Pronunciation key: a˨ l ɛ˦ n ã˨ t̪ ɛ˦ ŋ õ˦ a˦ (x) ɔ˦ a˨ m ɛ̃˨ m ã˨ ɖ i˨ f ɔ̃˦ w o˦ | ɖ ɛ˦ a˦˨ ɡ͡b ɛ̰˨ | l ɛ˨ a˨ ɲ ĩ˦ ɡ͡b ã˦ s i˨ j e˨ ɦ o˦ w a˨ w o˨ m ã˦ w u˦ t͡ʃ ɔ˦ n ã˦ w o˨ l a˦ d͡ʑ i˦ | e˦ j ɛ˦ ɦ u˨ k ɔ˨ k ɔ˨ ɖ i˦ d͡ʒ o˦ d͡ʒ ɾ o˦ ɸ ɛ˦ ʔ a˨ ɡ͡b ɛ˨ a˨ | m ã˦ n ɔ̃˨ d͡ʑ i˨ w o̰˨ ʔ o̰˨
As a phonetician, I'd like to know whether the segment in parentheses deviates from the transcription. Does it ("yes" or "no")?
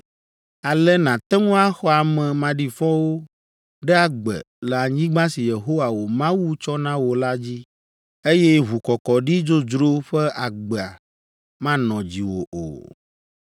no